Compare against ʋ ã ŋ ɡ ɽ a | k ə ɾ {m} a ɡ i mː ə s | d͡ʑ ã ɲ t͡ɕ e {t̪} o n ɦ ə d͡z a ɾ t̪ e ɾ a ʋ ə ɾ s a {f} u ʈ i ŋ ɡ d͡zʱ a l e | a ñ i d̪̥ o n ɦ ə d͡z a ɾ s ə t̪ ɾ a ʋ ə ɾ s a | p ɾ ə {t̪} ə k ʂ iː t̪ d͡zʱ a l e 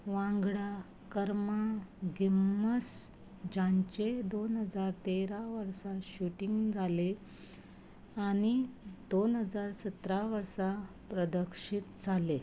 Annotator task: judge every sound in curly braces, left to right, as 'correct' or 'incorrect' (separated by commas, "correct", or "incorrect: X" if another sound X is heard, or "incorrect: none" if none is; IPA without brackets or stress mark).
correct, incorrect: d̪, incorrect: ɕ, incorrect: d̪